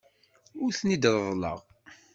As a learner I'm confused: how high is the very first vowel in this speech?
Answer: high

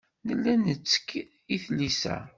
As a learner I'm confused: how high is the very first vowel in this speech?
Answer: mid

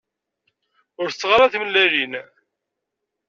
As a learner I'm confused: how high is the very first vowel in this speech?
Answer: high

